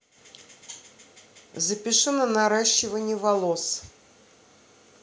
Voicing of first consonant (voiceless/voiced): voiced